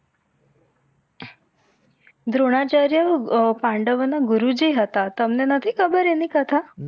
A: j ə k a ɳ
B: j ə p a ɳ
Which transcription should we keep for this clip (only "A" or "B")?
B